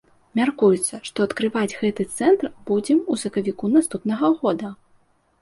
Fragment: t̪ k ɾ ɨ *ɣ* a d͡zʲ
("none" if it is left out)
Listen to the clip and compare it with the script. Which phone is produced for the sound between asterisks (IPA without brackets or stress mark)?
v